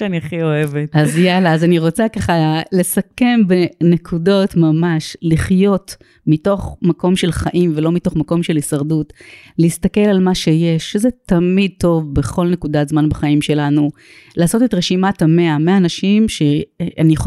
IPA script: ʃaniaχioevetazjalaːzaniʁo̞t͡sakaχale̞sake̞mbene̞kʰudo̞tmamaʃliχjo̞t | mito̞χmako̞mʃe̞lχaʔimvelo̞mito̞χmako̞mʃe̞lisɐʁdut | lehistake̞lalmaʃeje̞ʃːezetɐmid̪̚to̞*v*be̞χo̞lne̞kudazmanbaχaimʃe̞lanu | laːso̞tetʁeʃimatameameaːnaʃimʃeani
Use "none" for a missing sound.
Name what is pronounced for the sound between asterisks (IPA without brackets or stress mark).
v